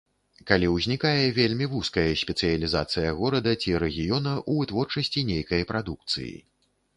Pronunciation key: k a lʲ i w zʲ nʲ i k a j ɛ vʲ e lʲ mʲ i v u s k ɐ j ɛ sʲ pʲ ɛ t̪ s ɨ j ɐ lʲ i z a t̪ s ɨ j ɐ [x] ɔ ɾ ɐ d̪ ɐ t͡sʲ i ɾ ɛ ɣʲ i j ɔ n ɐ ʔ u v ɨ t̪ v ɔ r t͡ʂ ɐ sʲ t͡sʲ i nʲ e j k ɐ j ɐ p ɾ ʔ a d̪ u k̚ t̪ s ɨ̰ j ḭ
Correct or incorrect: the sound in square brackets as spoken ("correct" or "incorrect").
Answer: incorrect